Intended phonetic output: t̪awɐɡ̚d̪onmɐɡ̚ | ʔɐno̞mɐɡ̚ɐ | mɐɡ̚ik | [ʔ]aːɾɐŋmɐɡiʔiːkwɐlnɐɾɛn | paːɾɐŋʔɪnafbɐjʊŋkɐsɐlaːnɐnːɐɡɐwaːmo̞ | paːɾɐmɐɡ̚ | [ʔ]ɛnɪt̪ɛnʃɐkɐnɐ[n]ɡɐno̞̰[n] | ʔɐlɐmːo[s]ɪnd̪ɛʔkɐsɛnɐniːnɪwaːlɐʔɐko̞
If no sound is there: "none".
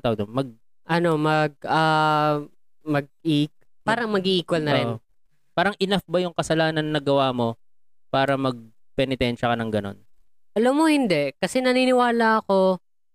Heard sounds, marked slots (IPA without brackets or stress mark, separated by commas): p, p, ŋ, n, h